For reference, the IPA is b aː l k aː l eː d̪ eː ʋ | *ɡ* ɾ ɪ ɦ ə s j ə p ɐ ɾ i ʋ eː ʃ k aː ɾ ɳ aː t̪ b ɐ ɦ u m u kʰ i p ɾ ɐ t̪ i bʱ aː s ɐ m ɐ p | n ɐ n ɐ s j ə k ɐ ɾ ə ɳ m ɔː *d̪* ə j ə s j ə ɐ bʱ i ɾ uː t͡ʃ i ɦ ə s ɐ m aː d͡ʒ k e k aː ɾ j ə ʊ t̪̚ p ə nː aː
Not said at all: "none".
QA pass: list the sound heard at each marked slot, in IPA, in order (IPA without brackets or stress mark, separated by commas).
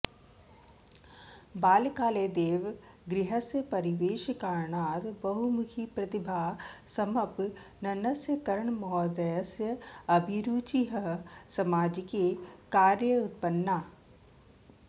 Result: ɡ, d̪